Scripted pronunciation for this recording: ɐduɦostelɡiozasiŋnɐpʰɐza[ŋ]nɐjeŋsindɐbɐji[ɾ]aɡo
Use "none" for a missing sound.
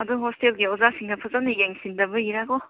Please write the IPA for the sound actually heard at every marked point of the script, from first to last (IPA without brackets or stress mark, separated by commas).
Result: none, ɾ